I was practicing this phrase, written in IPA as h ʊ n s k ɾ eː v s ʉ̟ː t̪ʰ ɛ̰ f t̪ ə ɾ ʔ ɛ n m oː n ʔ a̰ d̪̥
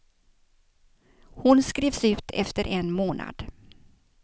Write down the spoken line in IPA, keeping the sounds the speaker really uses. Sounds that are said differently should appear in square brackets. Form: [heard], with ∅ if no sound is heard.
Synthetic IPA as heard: h ʊ n s k ɾ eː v s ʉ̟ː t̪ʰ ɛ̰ f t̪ ə ɾ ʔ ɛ n m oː n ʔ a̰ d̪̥